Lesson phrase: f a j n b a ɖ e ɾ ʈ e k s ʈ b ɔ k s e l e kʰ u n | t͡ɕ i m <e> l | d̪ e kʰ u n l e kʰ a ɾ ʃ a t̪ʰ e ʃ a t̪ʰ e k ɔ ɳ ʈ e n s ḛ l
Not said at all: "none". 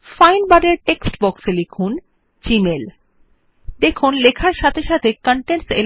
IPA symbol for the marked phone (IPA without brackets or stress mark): e